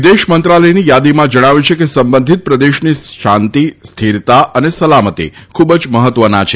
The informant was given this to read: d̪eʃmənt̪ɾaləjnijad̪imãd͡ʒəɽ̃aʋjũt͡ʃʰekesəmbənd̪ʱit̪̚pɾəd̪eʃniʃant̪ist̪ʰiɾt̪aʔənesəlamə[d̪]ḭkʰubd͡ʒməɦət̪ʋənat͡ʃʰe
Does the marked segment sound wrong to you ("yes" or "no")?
yes